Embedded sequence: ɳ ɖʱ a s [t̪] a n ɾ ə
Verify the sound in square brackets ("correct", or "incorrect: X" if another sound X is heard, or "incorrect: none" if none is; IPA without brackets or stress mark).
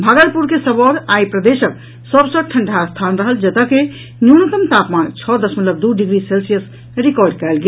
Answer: incorrect: t̪ʰ